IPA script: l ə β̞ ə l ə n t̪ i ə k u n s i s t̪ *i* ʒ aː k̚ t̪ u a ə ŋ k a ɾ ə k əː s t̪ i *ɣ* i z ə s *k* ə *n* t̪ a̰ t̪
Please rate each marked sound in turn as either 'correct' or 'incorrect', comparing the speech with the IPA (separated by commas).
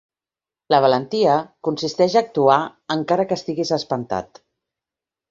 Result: incorrect, correct, incorrect, correct